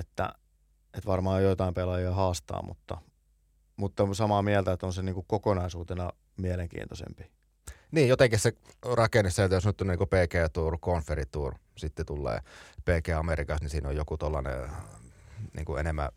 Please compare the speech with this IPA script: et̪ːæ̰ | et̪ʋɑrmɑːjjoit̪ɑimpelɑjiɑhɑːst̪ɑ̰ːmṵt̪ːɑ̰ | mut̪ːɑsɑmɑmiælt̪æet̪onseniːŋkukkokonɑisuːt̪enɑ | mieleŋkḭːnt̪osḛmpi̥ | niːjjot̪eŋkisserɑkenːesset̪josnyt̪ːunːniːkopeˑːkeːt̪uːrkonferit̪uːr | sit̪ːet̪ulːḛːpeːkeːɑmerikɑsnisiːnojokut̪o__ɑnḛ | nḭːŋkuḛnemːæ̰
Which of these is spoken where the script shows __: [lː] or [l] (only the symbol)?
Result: lː